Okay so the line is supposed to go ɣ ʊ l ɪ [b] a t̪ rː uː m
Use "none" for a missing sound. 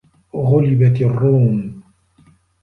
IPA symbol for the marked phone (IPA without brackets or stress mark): b